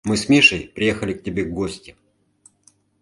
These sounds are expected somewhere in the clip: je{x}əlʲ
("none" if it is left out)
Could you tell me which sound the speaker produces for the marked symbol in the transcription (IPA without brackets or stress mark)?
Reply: x